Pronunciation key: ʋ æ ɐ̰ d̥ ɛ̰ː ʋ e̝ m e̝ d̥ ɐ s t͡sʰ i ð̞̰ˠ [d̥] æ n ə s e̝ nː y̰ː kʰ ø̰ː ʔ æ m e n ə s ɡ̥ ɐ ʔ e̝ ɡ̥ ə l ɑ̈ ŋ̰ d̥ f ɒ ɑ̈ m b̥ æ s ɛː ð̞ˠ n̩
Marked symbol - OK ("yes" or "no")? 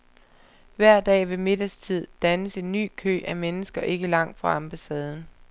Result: yes